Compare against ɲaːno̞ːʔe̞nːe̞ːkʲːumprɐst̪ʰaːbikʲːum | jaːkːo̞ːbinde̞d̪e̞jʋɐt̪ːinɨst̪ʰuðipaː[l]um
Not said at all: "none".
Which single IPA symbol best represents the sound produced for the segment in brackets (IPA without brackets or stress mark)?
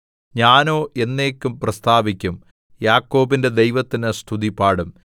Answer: ɽ